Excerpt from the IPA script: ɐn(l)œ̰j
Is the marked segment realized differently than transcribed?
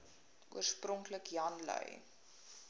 no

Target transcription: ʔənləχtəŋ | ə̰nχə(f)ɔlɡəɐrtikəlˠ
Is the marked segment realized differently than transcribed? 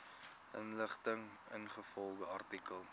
no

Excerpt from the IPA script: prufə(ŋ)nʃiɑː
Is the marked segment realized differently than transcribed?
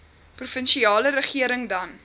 yes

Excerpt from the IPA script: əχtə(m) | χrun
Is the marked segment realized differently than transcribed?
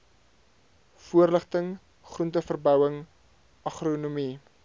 yes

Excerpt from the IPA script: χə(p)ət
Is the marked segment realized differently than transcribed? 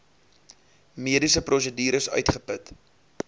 no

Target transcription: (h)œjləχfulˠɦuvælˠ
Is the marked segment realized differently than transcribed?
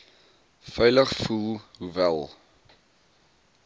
yes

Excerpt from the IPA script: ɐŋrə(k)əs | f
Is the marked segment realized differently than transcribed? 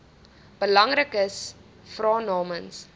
no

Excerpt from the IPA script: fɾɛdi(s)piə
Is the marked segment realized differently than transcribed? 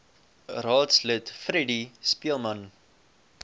no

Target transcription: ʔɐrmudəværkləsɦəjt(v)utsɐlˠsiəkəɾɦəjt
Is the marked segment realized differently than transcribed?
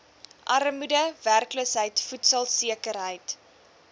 yes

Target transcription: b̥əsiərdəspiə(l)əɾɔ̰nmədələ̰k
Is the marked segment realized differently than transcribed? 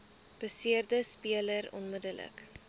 no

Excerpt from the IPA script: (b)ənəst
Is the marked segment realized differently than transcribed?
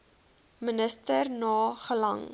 yes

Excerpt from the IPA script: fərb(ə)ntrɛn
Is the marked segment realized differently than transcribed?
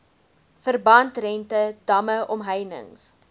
yes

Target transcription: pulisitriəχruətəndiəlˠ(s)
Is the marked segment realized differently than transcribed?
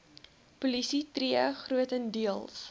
no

